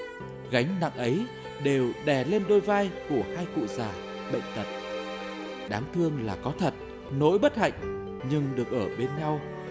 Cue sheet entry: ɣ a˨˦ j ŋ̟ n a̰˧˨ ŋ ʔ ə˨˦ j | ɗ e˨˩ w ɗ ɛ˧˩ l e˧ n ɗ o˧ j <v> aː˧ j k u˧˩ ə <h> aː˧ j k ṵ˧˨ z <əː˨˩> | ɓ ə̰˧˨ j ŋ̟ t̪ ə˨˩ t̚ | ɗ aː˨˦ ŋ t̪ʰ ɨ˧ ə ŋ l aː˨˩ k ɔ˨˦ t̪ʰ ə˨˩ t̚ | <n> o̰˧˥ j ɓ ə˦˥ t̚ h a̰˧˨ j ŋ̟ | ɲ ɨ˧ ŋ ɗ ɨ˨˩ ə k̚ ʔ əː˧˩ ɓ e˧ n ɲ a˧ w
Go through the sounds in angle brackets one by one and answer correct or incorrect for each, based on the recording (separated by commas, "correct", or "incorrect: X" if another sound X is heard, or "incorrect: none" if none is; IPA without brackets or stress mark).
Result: correct, correct, incorrect: aː˨˩, correct